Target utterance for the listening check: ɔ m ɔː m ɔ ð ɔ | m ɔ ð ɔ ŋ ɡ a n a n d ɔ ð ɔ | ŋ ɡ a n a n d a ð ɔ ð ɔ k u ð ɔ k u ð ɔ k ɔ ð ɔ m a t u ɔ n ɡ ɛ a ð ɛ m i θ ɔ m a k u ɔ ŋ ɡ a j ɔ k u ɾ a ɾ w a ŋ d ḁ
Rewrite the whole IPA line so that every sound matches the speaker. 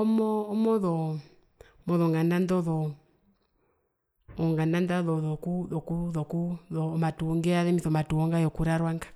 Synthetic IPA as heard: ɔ m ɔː m ɔ ð ɔ | m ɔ ð ɔ ŋ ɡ a n a n d ɔ ð ɔ | ŋ ɡ a n a n d a ð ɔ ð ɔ k u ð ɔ k u ð ɔ k u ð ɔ m a t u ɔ ŋ ɡ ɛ a ð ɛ m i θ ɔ m a t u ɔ ŋ ɡ a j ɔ k u ɾ a ɾ w a ŋ ɡ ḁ